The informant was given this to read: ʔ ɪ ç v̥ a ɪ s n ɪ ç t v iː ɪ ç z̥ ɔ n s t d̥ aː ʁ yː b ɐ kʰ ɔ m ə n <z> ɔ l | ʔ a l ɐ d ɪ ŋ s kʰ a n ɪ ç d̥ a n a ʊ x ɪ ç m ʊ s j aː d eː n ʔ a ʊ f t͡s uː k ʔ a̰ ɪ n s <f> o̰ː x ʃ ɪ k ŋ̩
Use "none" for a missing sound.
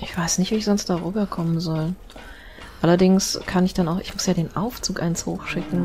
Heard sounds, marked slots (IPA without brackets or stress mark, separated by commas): z, h